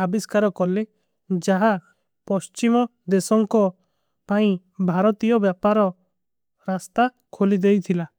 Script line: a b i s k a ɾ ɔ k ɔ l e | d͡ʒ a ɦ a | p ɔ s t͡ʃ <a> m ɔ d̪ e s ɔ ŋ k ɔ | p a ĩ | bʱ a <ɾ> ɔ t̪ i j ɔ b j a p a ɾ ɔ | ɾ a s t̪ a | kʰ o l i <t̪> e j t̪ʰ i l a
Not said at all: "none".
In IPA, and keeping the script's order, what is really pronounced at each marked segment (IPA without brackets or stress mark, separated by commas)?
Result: i, ɾ, d̪